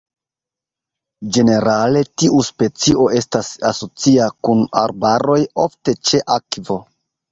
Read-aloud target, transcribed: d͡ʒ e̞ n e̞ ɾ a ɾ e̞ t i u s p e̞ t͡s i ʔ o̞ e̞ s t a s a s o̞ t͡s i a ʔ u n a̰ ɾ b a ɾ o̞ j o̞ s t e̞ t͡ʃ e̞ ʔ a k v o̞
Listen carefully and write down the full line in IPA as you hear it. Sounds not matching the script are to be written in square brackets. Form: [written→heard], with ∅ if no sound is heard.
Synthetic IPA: d͡ʒ e̞ n e̞ ɾ a [ɾ→l] e̞ t i u s p e̞ t͡s i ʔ o̞ e̞ s t a s a s o̞ t͡s i a [ʔ→k] u n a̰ ɾ b a ɾ o̞ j o̞ [s→f] t e̞ t͡ʃ e̞ ʔ a k v o̞